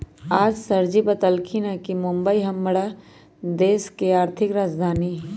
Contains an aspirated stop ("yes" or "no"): yes